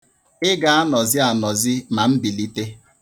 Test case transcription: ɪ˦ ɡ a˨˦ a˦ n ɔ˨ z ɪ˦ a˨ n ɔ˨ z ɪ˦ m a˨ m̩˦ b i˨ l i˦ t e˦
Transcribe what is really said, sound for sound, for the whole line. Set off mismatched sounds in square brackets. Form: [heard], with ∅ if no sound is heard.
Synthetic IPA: ɪ˦ ɡ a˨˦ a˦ n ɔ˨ z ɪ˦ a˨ n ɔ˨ z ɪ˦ m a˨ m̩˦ b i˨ l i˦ t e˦